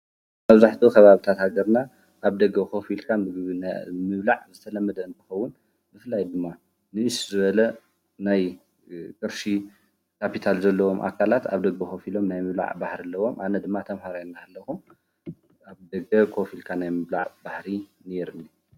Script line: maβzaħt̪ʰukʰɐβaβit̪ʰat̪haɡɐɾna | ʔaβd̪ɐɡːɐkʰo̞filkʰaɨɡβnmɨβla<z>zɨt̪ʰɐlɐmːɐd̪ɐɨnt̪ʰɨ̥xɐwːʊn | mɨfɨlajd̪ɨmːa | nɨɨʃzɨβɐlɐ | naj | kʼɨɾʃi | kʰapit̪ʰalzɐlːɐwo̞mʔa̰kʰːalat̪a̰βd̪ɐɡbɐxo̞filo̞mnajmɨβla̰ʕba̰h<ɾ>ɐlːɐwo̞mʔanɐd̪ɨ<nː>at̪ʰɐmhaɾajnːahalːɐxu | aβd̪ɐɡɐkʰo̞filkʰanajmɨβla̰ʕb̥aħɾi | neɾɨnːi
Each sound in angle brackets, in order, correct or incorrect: incorrect: ʕ, correct, incorrect: mː

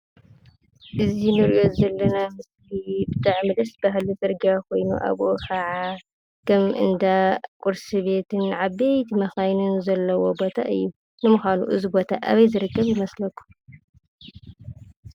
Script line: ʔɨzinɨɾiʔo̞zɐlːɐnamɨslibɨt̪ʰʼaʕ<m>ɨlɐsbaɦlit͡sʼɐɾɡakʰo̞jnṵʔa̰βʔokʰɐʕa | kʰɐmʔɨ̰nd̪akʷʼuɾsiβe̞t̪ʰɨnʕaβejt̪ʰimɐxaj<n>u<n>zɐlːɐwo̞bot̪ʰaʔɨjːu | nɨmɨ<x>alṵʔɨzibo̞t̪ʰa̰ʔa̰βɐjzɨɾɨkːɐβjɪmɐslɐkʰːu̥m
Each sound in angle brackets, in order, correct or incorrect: correct, correct, correct, correct

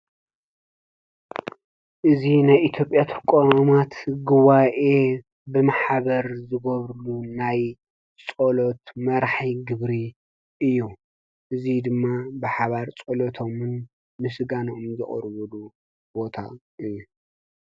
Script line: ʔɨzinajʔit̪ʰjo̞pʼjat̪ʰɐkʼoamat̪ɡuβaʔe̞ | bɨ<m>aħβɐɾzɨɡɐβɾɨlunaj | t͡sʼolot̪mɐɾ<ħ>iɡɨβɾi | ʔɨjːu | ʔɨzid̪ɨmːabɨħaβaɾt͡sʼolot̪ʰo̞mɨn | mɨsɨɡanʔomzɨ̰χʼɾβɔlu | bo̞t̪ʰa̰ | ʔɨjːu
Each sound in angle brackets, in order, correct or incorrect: correct, correct

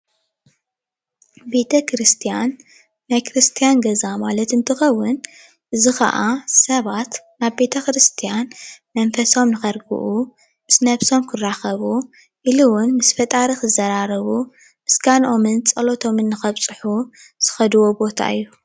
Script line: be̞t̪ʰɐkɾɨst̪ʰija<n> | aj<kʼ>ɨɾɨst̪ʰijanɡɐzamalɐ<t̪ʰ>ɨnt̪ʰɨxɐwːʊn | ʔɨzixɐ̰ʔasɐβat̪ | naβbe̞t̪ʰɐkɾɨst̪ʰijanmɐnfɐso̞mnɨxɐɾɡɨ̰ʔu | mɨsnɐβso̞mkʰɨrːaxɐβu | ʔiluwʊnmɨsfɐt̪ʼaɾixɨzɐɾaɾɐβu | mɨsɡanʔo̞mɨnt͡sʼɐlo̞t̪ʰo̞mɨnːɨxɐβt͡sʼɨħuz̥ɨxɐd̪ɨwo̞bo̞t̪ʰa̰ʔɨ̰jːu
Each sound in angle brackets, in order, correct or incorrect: incorrect: nː, incorrect: k, incorrect: t̪

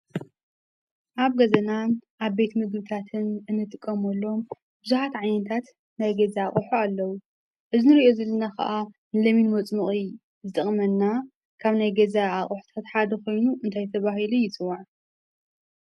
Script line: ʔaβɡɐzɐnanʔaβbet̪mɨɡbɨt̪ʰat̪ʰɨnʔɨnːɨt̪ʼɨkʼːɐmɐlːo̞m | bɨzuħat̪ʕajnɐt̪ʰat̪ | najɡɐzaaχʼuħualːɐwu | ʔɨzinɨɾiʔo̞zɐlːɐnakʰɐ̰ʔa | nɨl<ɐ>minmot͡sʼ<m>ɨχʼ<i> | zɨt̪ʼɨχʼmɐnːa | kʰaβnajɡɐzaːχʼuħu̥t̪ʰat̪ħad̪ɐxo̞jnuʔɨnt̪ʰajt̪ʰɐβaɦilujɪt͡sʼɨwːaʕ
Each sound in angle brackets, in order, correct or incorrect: correct, correct, correct

